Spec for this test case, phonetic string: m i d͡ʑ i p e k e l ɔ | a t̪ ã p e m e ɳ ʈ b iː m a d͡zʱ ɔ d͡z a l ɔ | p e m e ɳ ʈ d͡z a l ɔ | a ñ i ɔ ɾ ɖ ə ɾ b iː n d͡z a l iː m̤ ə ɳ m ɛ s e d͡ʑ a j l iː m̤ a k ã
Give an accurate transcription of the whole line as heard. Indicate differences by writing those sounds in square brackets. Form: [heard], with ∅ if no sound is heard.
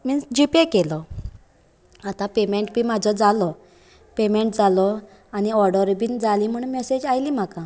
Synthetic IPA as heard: m i d͡ʑ i p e k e l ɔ | a t̪ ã p e m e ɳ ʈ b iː m a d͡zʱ ɔ d͡z a l ɔ | p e m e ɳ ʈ d͡z a l ɔ | a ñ i ɔ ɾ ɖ ə ɾ b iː n d͡z a l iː m̤ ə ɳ m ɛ s e d͡ʑ a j l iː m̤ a k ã